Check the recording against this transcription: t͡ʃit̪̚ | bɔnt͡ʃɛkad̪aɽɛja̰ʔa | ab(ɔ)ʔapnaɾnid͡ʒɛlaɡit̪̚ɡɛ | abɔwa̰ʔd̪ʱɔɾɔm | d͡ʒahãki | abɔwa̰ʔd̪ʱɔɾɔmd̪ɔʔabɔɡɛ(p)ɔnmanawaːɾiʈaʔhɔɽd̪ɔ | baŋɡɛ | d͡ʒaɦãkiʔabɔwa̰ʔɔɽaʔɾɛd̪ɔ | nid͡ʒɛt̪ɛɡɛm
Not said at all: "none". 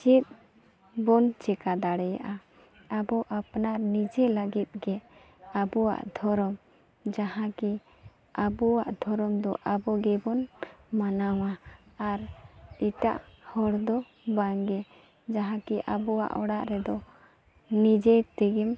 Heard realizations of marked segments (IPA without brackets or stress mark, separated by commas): ɔ, b